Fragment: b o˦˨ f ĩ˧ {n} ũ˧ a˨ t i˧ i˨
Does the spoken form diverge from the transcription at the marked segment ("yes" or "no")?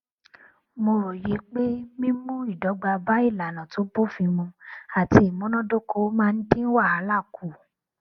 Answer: yes